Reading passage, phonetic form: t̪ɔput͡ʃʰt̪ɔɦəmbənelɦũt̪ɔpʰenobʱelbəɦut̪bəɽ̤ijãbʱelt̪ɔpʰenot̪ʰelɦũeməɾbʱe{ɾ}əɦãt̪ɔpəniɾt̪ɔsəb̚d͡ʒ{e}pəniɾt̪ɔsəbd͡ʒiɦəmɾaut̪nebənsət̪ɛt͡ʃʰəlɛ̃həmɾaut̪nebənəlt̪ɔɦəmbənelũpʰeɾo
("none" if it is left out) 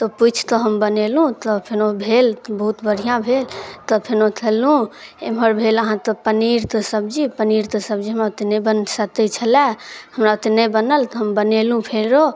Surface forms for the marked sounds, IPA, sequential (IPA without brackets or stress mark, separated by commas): l, i